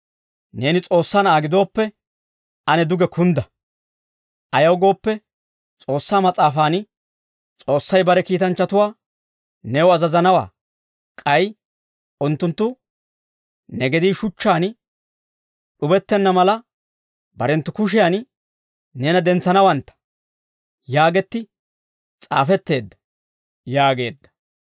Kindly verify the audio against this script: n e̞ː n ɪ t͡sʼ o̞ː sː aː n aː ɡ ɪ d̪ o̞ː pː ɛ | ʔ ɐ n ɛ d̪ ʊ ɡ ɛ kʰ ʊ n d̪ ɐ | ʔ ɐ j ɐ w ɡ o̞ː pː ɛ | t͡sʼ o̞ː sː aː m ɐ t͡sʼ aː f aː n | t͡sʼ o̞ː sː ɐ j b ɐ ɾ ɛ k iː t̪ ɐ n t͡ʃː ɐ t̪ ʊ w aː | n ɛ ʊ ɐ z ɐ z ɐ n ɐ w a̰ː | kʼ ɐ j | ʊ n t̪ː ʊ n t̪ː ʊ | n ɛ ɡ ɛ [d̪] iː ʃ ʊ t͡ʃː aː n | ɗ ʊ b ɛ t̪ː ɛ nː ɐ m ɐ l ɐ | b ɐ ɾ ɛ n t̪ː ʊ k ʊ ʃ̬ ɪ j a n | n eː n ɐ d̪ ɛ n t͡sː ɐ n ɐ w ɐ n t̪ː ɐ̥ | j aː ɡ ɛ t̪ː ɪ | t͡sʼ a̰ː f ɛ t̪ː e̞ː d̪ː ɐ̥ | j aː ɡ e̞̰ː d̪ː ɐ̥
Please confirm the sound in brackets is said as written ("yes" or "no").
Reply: yes